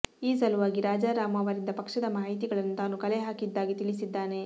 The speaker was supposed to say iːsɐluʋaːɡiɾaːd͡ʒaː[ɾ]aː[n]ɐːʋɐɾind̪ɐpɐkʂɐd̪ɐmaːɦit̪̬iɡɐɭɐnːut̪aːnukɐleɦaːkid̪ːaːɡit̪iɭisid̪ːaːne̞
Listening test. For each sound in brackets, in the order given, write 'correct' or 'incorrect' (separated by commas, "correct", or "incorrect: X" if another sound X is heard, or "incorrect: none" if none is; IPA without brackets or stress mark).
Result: correct, incorrect: m